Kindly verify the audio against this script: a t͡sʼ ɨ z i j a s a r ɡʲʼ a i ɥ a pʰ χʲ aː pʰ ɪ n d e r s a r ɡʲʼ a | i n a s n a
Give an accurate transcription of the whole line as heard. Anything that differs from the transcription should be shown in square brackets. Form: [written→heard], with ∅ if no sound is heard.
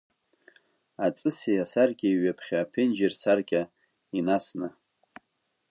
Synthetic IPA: a t͡sʼ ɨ [z→s] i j a s a r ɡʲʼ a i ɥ a pʰ χʲ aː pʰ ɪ n [d→d͡ʒ] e r s a r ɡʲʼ a | i n a s n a